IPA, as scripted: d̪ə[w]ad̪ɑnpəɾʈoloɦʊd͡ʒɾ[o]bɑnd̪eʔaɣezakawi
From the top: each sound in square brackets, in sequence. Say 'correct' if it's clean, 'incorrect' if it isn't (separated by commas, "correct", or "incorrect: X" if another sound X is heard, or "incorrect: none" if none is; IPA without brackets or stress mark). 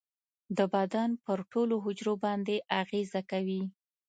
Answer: incorrect: b, correct